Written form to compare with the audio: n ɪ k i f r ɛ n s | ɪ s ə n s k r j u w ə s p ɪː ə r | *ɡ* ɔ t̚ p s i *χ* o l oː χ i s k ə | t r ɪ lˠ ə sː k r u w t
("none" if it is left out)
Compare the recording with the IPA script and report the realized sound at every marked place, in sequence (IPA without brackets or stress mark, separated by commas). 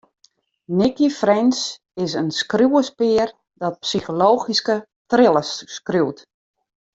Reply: d, x